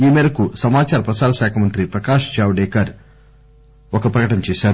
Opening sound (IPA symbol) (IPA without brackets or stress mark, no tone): iː